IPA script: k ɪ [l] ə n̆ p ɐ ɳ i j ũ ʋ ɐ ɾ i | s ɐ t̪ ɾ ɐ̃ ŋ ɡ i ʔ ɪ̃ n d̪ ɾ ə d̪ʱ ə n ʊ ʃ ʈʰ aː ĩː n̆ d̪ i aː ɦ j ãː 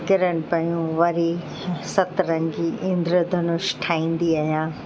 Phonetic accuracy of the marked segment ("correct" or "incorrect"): incorrect